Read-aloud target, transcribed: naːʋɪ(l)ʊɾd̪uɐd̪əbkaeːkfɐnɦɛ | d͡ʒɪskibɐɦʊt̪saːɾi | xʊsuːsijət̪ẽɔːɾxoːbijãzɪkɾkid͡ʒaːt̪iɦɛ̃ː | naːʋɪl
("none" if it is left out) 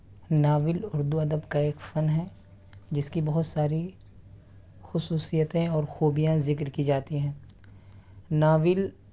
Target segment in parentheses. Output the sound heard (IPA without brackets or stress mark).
l